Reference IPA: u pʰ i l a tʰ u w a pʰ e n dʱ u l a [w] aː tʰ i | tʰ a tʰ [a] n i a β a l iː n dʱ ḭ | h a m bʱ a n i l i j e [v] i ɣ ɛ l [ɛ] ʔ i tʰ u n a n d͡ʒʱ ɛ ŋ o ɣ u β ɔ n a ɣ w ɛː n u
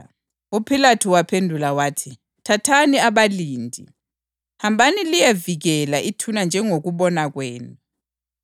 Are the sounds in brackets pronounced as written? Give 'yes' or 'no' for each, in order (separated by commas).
yes, yes, yes, no